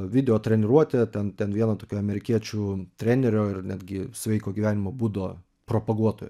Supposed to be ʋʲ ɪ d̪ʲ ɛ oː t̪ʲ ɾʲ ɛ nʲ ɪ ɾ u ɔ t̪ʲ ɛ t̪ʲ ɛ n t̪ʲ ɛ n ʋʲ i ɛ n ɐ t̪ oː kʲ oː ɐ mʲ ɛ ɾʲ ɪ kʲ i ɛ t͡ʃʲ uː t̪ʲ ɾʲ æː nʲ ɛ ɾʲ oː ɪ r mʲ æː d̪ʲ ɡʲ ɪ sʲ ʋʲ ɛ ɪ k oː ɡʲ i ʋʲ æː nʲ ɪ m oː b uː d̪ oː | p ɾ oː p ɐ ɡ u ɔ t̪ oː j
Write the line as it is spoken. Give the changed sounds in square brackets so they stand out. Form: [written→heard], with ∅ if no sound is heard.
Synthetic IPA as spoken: ʋʲ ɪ d̪ʲ ɛ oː t̪ʲ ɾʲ ɛ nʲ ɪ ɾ u ɔ t̪ʲ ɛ t̪ʲ ɛ n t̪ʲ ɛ n ʋʲ i ɛ n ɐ t̪ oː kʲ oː ɐ mʲ ɛ ɾʲ ɪ kʲ i ɛ t͡ʃʲ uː t̪ʲ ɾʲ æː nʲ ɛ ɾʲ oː ɪ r [mʲ→nʲ] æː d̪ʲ ɡʲ ɪ sʲ ʋʲ ɛ ɪ k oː ɡʲ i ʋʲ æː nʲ ɪ m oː b uː d̪ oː | p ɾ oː p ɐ ɡ u ɔ t̪ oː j